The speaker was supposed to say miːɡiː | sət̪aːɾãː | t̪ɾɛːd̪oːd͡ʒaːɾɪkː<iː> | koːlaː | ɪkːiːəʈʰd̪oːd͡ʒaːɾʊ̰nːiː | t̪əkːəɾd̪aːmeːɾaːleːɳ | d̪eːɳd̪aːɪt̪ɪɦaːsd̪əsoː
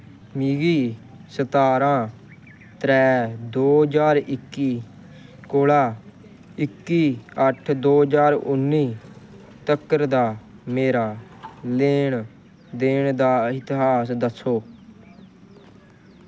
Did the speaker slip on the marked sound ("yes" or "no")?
no